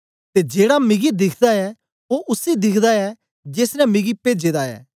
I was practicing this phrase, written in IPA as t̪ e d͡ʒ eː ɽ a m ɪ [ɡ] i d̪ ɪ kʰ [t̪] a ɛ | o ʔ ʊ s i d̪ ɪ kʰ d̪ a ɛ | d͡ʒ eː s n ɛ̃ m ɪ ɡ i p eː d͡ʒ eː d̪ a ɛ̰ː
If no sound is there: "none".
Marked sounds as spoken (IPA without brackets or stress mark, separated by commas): ɡ, d̪